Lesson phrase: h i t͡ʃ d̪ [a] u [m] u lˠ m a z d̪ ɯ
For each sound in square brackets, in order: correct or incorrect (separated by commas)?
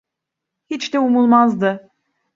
incorrect, correct